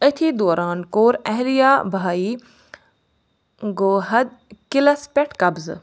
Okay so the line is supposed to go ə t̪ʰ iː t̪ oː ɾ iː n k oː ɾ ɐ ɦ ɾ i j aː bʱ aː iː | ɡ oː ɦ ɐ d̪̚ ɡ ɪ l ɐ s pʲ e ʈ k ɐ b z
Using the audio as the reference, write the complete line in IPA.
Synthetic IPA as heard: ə t̪ʰ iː d̪ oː ɾ aː n k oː ɾ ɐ ɦ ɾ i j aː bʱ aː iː | ɡ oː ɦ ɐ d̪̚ k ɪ l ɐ s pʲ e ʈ k ɐ b z